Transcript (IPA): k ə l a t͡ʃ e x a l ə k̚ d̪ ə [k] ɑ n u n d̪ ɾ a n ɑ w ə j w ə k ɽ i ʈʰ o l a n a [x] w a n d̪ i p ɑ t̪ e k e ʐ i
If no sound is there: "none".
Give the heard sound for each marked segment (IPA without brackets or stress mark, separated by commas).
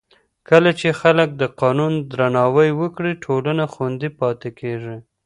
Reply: q, x